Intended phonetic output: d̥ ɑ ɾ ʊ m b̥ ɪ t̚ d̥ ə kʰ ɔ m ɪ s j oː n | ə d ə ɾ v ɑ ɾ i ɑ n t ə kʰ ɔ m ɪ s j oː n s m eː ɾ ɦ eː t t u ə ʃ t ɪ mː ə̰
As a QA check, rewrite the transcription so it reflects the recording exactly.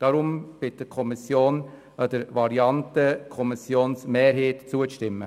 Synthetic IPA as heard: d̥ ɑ ɾ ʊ m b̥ ɪ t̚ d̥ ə kʰ ɔ m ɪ s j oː n | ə d ə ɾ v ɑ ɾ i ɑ n t ə kʰ ɔ m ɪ s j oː n s m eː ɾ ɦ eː t t͡s u ə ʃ t ɪ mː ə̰